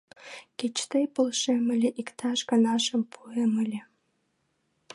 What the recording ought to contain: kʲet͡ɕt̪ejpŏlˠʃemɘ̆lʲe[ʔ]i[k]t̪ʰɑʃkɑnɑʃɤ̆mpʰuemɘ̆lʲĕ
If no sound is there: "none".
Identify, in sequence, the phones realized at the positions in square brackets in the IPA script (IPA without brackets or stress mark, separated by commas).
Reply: ʔ, k